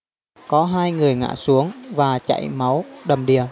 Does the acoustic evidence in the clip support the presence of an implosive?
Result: yes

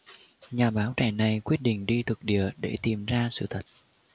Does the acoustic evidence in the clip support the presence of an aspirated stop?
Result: yes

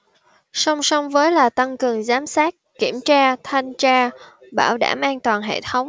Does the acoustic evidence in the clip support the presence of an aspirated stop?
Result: yes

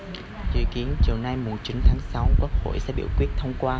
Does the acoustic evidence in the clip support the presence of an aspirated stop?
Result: yes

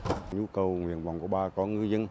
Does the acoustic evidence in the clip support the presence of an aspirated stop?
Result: no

